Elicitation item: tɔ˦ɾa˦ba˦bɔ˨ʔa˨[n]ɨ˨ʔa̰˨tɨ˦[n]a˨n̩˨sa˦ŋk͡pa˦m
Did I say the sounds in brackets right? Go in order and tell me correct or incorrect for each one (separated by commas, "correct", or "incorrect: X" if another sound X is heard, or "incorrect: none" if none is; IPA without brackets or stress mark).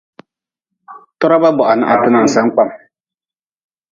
correct, correct